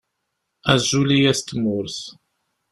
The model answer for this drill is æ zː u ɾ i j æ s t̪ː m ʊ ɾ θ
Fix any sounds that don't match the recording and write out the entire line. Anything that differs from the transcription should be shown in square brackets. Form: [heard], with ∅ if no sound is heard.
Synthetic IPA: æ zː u [l] i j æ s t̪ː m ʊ ɾ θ